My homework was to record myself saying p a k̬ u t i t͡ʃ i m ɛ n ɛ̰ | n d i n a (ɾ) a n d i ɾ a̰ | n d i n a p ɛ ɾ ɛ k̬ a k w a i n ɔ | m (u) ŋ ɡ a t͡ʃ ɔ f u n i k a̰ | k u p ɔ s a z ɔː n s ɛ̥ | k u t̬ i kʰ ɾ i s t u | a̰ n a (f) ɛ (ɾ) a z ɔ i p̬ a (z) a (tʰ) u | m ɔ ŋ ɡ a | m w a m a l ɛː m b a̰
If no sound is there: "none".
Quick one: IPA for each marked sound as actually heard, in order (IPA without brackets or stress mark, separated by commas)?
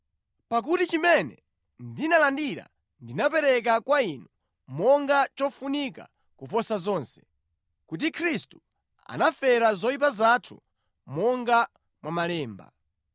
l, ɔ, f, ɾ, z, tʰ